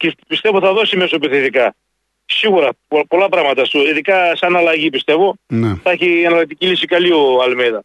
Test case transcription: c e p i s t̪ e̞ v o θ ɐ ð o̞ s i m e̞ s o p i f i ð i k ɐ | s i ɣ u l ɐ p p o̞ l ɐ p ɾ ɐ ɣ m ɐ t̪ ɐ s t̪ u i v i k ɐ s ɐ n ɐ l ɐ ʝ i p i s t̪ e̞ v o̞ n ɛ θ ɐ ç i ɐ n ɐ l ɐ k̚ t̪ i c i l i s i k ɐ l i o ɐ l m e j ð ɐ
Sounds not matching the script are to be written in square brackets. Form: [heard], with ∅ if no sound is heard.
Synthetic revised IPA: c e p i s t̪ e̞ v o θ ɐ ð o̞ s i m e̞ s o p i [θ] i ð i k ɐ | s i ɣ u [ɾ] ɐ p p o̞ l ɐ p ɾ ɐ ɣ m ɐ t̪ ɐ s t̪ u i [ð] i k ɐ s ɐ n ɐ l ɐ ʝ i p i s t̪ e̞ v o̞ n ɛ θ ɐ ç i ɐ n ɐ l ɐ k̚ t̪ i c i l i s i k ɐ l i o ɐ l m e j ð ɐ